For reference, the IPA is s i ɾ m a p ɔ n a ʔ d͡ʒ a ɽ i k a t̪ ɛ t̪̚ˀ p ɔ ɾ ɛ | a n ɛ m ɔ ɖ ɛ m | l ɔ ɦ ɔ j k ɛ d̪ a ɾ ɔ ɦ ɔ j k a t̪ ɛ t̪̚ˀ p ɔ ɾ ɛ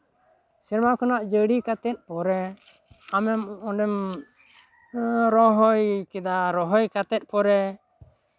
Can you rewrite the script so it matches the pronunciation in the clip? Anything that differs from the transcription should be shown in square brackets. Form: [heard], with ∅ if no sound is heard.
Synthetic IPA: s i ɾ m a [k] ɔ n a ʔ d͡ʒ [ə] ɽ i k a t̪ ɛ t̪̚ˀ p ɔ ɾ ɛ | a [m] ɛ m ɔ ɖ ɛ m | [ɾ] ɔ ɦ ɔ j k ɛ d̪ a ɾ ɔ ɦ ɔ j k a t̪ ɛ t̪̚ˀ p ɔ ɾ ɛ